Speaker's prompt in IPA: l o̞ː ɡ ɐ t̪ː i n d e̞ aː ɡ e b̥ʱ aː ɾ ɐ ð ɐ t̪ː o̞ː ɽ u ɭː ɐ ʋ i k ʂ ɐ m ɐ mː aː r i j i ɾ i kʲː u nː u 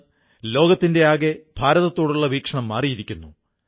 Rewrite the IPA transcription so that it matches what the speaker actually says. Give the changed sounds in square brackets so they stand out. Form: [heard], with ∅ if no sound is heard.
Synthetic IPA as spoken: l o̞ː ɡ ɐ t̪ː i n d e̞ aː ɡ e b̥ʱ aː ɾ ɐ ð ɐ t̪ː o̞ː ɽ u ɭː ɐ ʋ [iː] k ʂ ɐ [ɳ] ɐ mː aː r i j i ɾ i kʲː u nː u